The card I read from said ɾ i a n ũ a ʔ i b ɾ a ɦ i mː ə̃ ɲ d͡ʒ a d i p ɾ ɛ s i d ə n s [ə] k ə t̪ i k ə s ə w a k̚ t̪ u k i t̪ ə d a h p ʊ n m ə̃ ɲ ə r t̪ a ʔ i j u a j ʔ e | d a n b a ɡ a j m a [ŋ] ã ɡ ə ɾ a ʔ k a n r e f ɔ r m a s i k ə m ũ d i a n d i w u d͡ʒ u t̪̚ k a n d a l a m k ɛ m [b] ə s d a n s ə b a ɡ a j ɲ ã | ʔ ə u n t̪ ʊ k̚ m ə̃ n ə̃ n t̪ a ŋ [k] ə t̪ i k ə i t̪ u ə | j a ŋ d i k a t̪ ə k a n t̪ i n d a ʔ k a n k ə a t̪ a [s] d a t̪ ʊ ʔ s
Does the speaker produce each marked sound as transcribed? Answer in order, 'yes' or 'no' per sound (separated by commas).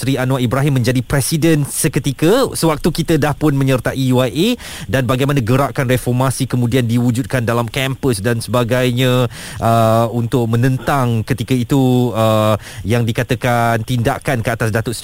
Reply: yes, no, no, yes, yes